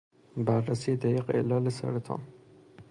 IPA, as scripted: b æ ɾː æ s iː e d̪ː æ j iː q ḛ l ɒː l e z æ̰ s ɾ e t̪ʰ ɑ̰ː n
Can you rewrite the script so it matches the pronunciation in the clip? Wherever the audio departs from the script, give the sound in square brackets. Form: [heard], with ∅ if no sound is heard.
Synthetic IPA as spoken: b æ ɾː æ s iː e [d̪] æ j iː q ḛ l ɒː l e [s] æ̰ [∅] ɾ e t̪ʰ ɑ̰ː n